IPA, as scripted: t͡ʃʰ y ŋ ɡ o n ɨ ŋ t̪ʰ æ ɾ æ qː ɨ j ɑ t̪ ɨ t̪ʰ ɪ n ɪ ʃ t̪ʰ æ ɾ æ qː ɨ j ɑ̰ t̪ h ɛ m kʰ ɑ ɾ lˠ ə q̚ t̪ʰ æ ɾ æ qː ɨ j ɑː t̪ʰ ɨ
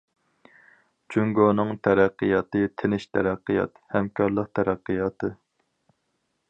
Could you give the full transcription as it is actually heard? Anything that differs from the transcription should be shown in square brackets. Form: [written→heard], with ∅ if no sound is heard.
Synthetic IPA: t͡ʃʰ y ŋ ɡ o n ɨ ŋ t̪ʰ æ ɾ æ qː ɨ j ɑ t̪ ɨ t̪ʰ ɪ n ɪ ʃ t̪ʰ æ ɾ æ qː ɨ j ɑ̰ t̪ h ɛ m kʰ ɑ ɾ lˠ ə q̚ t̪ʰ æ ɾ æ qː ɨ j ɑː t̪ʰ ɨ